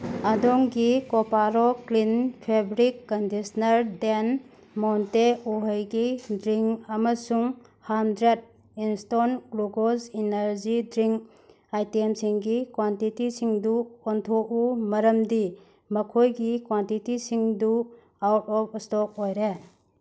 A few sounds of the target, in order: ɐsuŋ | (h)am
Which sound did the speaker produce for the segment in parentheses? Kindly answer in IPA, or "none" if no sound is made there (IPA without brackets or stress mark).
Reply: h